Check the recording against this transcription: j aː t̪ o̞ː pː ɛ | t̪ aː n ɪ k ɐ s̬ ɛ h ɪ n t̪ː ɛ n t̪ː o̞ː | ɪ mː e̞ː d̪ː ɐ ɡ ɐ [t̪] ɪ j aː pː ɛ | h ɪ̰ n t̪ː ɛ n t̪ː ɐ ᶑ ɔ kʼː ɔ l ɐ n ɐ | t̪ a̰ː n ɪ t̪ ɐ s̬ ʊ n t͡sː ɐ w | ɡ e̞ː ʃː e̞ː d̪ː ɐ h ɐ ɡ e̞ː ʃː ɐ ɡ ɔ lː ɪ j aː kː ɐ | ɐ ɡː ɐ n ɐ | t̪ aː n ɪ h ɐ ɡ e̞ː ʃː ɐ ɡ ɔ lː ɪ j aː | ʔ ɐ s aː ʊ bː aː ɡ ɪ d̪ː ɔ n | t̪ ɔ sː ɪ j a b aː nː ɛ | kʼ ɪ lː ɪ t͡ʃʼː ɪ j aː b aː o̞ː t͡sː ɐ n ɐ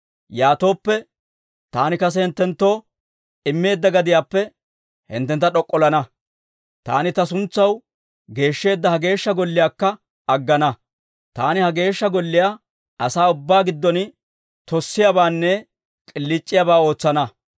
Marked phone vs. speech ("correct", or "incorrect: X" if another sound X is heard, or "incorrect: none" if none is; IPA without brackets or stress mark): incorrect: d̪